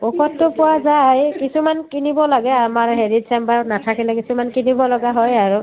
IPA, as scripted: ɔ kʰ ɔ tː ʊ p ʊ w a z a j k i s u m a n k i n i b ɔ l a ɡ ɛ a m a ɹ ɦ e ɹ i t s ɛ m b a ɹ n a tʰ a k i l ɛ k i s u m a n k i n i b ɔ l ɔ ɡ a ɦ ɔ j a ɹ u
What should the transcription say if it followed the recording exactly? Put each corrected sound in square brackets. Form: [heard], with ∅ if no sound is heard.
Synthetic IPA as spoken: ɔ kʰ ɔ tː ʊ p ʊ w a z a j k i s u m a n k i n i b ɔ l a ɡ ɛ a m a ɹ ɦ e ɹ i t s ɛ m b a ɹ n a tʰ a k i l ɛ k i s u m a n k i n i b ɔ l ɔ ɡ a ɦ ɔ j a ɹ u